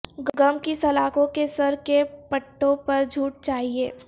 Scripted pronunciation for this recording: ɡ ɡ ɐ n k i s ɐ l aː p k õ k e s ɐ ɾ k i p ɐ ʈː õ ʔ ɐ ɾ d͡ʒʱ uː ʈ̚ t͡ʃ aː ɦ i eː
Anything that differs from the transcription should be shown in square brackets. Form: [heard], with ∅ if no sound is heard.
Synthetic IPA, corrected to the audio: ɡ ɡ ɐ [m] k i s ɐ l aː [∅] k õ k e s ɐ ɾ k [e] p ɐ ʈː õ [p] ɐ ɾ d͡ʒʱ uː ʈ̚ t͡ʃ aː ɦ i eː

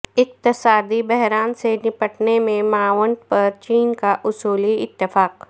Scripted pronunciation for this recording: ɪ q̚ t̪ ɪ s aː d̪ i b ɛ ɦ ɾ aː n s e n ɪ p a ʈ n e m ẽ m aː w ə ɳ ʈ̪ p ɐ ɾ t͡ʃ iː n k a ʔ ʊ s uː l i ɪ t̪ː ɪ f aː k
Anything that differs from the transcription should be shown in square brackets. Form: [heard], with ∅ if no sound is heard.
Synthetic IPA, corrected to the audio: ɪ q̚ t̪ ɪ s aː d̪ i b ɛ ɦ ɾ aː n s e n ɪ p [ə] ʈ n e m ẽ m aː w ə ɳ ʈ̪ p ɐ ɾ t͡ʃ iː n k a ʔ ʊ s uː l i ɪ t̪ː ɪ f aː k

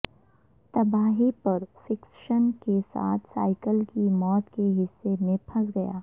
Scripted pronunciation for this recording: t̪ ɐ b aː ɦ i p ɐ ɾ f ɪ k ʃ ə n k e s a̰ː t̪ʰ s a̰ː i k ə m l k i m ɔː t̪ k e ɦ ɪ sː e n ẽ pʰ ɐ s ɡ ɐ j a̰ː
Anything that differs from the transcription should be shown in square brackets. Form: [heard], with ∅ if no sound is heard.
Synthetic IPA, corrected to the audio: t̪ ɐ b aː ɦ i p ɐ ɾ f ɪ k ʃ ə n k e s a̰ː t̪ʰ s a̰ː [ɪ] k ə [∅] l k i m ɔː t̪ k e ɦ ɪ sː e [m] ẽ pʰ ɐ s ɡ ɐ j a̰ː

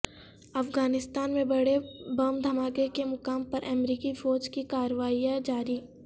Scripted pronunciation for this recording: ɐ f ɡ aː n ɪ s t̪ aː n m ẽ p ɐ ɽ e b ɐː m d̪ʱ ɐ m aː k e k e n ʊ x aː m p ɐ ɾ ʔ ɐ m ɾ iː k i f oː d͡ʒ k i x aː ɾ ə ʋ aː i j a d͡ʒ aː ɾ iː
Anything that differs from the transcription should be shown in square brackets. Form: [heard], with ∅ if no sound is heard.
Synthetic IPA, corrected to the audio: ɐ f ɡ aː n ɪ s t̪ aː n m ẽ [b] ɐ ɽ e b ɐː m d̪ʱ ɐ m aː k e k e [m] ʊ [k] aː m p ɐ ɾ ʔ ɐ m ɾ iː k i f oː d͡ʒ k i [k] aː ɾ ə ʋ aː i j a d͡ʒ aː ɾ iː

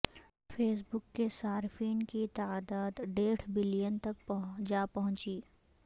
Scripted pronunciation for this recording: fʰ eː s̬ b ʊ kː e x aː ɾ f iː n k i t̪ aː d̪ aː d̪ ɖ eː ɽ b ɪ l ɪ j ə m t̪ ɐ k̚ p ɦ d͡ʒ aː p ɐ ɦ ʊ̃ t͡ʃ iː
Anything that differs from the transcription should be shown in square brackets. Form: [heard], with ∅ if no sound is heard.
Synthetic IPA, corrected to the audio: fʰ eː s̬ b ʊ kː e [s] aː ɾ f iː n k i t̪ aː d̪ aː d̪ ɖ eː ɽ b ɪ l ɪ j ə [n] t̪ ɐ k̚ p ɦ d͡ʒ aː p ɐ ɦ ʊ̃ t͡ʃ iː

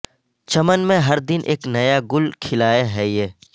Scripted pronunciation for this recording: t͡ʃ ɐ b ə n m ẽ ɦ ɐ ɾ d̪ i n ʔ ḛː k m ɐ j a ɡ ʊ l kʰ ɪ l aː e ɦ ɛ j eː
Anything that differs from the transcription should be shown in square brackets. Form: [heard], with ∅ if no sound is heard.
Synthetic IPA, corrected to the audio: t͡ʃ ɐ [m] ə n m ẽ ɦ ɐ ɾ d̪ [ɪ] n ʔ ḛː k [n] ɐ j a ɡ ʊ l kʰ ɪ l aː e ɦ ɛ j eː

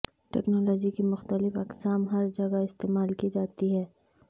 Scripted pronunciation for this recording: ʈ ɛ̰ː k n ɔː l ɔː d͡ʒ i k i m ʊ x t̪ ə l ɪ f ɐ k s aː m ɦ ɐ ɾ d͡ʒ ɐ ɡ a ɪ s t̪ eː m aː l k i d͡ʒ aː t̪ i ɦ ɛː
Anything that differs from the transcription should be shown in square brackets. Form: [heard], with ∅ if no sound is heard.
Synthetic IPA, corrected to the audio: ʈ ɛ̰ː k n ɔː l ɔː d͡ʒ i k i m ʊ x t̪ ə l ɪ f ɐ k s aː m ɦ ɐ ɾ d͡ʒ ɐ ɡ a ɪ s t̪ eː m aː l k i d͡ʒ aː t̪ i ɦ ɛː

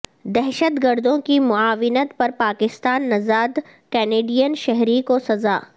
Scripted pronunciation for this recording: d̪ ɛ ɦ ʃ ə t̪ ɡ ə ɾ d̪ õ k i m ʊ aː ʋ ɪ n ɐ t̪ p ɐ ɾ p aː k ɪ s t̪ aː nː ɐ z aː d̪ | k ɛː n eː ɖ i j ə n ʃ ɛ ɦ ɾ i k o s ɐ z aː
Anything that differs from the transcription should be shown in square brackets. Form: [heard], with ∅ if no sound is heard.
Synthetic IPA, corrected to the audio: d̪ ɛ ɦ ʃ ə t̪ ɡ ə ɾ d̪ õ k i m ʊ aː ʋ ɪ n [ə] t̪ p ɐ ɾ p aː k ɪ s t̪ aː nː ɐ z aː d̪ | k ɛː n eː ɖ i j ə n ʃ ɛ ɦ ɾ i k o s ɐ z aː

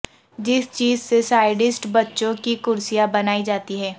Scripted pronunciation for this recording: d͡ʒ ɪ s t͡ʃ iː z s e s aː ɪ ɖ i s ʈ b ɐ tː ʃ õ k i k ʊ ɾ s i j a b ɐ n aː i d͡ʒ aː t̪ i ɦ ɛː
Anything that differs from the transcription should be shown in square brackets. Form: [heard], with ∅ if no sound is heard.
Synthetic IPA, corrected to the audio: d͡ʒ ɪ s t͡ʃ iː z s e s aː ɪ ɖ [ɪ] s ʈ b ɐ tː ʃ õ k i k ʊ ɾ s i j a b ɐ n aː i d͡ʒ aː t̪ i ɦ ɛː

